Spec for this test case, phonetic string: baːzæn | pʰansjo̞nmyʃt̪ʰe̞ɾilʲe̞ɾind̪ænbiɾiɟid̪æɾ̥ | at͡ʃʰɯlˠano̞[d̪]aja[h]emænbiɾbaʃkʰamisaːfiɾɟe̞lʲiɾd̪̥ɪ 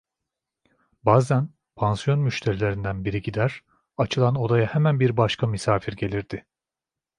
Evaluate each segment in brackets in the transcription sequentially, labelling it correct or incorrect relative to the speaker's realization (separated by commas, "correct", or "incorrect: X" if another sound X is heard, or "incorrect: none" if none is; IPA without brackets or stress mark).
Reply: correct, correct